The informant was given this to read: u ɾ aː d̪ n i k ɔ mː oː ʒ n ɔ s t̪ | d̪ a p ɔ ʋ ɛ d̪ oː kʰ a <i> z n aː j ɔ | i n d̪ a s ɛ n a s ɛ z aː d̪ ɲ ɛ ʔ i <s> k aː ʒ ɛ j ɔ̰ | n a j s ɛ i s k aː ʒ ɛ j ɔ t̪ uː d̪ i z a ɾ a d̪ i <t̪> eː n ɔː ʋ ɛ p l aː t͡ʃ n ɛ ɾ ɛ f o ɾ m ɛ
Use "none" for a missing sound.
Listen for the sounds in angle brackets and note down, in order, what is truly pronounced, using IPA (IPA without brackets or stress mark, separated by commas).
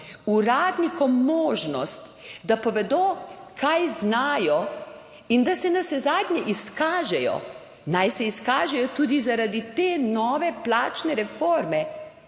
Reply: j, s, t̪